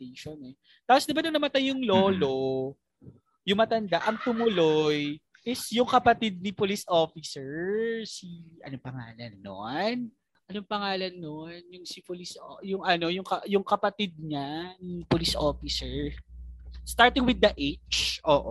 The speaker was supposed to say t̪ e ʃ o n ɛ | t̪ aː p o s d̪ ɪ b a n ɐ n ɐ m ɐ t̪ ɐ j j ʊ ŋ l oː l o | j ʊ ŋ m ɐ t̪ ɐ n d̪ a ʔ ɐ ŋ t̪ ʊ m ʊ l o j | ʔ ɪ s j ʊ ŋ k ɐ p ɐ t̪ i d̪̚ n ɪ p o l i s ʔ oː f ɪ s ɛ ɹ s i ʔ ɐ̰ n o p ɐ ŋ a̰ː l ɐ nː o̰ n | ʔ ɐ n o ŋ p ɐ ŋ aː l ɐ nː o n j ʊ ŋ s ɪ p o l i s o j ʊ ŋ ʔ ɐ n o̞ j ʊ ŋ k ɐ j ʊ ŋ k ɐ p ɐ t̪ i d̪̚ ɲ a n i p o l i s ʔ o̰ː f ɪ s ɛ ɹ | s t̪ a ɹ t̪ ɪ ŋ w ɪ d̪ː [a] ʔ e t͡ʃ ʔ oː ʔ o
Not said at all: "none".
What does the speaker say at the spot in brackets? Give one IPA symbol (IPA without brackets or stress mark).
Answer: ɐ